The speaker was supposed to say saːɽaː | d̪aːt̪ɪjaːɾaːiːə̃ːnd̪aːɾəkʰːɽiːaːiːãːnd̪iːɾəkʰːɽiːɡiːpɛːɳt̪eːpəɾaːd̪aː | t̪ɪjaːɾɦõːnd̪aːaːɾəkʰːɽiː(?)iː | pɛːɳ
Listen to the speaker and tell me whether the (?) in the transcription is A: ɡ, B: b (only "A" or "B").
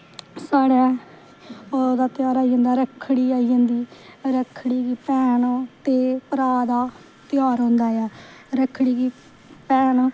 A